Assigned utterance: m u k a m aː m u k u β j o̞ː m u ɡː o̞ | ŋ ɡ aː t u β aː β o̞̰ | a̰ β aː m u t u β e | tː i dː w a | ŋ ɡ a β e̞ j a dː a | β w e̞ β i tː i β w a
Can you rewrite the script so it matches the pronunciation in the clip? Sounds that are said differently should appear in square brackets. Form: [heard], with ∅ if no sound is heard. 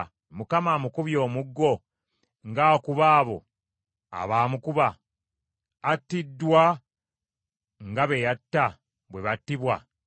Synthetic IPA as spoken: m u k a m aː m u k u β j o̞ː m u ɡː o̞ | ŋ ɡ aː [k] u β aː β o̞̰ | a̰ β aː m u [k] u β [a] | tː i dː w a | ŋ ɡ a β e̞ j a [tː] a | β w e̞ β [a] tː i β w a